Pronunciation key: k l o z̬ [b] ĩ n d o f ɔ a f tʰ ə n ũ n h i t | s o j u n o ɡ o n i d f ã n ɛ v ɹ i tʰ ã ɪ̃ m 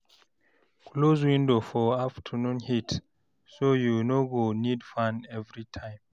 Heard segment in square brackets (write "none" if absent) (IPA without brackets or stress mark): w